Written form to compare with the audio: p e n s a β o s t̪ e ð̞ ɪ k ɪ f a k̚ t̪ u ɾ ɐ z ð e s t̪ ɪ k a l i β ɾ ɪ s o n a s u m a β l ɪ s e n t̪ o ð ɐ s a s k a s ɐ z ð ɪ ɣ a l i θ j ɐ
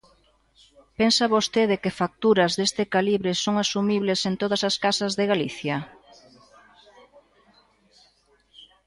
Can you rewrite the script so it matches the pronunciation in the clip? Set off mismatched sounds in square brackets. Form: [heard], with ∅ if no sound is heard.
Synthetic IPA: p e n s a β o s t̪ e ð̞ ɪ k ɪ f a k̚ t̪ u ɾ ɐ z ð e s t̪ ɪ k a l i β ɾ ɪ s o [ŋ] a s u m [i] β l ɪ s e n t̪ o ð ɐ s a s k a s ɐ z ð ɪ ɣ a l i θ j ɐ